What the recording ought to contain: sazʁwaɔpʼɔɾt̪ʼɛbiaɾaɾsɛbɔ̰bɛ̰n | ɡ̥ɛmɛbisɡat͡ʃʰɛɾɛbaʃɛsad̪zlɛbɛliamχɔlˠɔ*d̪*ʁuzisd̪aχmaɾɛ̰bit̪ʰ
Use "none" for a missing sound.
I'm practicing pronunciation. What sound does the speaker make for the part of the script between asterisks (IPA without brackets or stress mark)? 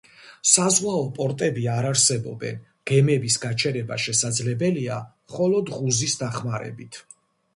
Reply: d̪